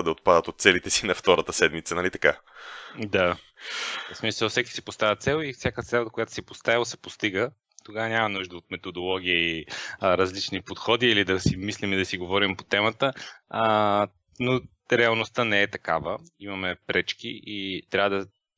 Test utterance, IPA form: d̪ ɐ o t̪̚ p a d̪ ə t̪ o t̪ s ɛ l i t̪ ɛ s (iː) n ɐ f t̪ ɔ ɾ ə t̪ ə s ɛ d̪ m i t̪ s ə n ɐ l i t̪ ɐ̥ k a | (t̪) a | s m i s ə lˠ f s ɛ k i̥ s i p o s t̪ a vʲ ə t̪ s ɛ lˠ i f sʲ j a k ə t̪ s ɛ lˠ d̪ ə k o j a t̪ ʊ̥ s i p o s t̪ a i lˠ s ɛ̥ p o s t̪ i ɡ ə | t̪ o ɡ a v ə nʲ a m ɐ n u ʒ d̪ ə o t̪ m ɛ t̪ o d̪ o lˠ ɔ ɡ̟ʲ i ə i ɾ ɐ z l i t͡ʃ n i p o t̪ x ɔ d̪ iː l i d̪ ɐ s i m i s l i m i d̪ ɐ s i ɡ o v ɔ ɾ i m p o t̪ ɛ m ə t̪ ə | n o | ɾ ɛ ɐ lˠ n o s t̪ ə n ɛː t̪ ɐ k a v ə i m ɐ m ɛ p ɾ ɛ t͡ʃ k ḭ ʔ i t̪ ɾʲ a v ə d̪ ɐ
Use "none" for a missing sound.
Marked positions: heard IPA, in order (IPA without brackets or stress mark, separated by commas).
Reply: i, d̪